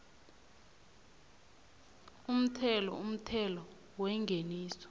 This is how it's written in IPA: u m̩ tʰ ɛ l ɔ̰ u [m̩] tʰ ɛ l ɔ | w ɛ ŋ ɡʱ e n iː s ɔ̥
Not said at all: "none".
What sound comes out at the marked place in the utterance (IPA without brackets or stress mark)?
m̩